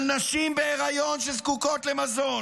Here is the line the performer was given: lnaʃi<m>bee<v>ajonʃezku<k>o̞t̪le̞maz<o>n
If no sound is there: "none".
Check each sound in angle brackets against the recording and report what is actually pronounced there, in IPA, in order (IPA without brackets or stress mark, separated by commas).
m, ʁ, k, o